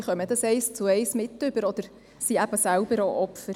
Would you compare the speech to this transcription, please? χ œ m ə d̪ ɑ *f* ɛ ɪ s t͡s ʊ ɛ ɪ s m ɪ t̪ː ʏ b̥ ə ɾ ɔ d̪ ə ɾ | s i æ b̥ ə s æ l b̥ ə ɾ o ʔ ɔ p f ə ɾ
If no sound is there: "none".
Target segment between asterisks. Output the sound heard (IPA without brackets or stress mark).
s